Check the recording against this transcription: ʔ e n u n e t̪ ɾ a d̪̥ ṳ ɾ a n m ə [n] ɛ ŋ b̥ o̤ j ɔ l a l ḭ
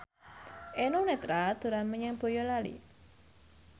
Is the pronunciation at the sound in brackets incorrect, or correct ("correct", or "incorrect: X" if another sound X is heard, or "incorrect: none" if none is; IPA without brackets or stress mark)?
incorrect: ɲ